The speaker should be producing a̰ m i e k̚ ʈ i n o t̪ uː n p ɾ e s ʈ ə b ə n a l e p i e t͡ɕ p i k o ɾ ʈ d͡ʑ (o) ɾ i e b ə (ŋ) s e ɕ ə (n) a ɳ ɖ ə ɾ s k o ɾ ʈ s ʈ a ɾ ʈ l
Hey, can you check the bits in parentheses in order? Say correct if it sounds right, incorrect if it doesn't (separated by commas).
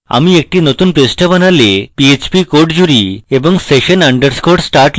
incorrect, correct, correct